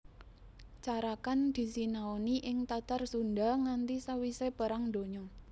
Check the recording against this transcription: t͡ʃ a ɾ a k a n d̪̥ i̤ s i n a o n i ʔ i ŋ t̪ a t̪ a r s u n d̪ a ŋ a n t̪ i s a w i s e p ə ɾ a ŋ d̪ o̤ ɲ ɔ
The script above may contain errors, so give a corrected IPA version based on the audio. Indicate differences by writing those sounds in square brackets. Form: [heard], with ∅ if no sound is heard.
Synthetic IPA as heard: t͡ʃ a ɾ a k a n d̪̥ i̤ s i n a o n i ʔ [ɪ] ŋ t̪ a t̪ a r s u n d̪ a ŋ a n t̪ i s a w i s e p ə ɾ a ŋ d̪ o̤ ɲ ɔ